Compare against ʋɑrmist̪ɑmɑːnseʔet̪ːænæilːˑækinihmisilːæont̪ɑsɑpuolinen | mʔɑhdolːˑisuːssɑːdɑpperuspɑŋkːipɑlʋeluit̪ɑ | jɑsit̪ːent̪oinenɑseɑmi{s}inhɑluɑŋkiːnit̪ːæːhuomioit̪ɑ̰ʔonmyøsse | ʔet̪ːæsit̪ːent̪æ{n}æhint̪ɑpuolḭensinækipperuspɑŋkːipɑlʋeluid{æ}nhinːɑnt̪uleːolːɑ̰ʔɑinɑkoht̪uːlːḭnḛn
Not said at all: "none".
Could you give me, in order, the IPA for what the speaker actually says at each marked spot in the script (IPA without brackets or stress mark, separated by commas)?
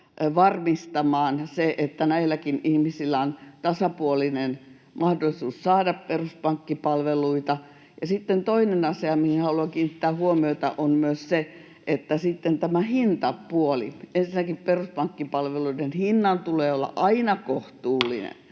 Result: h, m, e